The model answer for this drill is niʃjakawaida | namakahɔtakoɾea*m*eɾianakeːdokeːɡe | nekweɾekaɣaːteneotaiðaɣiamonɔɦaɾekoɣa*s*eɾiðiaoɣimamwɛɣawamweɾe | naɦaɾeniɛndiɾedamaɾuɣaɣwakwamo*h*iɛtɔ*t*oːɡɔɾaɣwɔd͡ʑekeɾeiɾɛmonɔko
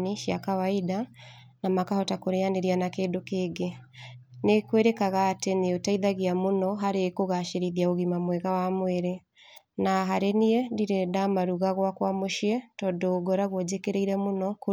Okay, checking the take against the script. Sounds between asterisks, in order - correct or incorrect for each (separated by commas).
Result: incorrect, incorrect, incorrect, incorrect